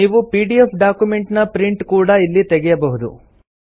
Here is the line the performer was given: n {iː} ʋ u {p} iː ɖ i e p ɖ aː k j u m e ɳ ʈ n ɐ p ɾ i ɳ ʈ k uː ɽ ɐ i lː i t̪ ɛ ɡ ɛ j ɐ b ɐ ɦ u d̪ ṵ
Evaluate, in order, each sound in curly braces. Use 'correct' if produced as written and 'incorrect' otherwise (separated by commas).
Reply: correct, correct